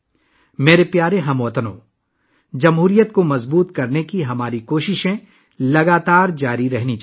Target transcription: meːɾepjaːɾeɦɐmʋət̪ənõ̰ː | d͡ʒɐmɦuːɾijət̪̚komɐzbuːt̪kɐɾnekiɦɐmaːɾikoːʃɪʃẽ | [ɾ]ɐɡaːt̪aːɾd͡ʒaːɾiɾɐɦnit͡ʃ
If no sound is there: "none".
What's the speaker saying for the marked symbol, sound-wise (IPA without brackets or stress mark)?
l